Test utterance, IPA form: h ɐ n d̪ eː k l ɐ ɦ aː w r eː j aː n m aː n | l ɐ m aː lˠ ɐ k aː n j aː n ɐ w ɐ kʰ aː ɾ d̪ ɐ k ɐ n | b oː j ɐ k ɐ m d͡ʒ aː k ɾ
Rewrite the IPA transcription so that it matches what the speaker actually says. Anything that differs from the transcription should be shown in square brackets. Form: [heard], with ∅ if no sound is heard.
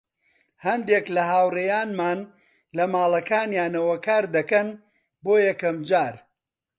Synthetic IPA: h ɐ n d̪ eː k l ɐ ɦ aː w r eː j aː n m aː n | l ɐ m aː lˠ ɐ k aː n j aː n ɐ w ɐ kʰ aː ɾ d̪ ɐ k ɐ n | b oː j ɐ k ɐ m d͡ʒ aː [∅] ɾ